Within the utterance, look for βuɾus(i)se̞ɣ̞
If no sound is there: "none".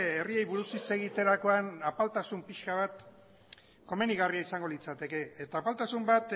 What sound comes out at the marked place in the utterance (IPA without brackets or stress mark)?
i